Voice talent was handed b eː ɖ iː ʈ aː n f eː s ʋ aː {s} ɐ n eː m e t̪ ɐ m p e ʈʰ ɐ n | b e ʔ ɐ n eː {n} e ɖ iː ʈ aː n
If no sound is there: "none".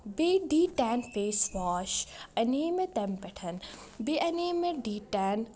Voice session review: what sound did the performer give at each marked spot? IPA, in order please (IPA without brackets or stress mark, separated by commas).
ʃ, m